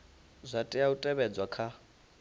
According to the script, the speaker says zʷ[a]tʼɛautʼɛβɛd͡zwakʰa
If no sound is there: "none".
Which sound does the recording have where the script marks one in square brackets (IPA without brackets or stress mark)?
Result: a